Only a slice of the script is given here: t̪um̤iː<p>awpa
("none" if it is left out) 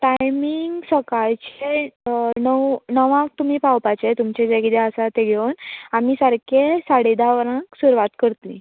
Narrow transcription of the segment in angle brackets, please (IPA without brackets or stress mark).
p